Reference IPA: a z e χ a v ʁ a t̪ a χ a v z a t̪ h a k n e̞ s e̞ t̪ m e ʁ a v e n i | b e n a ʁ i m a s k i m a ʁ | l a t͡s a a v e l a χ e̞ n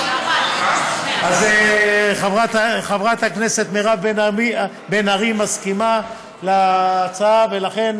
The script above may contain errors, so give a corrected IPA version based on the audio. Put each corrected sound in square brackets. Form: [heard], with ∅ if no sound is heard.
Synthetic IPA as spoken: a z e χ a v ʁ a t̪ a χ a v [ʁ] a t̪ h a k n e̞ s e̞ t̪ m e ʁ a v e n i | b e n a ʁ i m a s k i m a [∅] | l a t͡s a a v e l a χ e̞ n